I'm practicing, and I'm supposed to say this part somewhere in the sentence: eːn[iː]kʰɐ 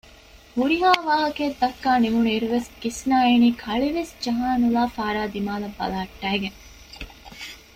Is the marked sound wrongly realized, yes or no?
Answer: no